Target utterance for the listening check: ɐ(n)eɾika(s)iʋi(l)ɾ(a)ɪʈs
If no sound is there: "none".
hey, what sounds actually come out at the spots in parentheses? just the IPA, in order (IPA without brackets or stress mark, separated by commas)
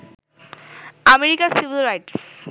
m, s, l, a